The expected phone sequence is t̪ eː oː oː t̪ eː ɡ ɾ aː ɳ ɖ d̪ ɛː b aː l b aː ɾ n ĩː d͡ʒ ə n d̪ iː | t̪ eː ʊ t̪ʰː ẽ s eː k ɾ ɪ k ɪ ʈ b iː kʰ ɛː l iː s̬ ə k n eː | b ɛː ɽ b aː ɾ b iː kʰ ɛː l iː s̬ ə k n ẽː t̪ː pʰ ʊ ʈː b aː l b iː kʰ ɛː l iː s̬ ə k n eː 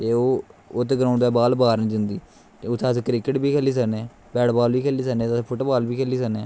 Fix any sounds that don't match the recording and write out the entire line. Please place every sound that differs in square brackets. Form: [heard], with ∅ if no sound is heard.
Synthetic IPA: t̪ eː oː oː t̪ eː ɡ ɾ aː ɳ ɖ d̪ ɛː b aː l b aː ɾ n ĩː d͡ʒ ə n d̪ iː | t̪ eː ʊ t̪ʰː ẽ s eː k ɾ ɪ k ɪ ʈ b iː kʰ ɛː l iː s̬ ə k n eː | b ɛː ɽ b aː [l] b iː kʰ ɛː l iː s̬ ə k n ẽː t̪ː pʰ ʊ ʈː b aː l b iː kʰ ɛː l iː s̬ ə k n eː